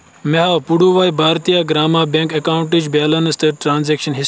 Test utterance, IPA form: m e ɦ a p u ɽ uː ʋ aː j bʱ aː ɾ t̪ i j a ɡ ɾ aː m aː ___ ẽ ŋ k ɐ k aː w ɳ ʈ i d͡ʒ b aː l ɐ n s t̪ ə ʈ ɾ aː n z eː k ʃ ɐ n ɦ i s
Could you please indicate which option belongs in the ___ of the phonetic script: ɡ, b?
b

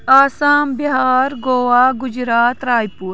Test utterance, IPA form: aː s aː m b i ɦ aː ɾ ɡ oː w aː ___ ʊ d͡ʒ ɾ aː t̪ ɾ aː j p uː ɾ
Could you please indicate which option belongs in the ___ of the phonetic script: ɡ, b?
ɡ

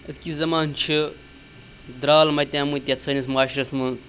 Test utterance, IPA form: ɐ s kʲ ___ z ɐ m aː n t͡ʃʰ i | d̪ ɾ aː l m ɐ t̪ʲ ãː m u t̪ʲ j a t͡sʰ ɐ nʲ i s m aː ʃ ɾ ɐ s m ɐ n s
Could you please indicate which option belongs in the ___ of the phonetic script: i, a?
i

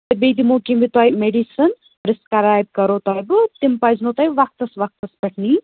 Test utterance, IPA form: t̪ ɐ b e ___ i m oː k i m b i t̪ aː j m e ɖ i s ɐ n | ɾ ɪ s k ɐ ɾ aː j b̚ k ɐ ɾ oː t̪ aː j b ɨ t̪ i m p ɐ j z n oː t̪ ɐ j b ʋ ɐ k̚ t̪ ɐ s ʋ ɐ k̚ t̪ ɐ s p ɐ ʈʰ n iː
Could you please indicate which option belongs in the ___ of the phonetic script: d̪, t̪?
d̪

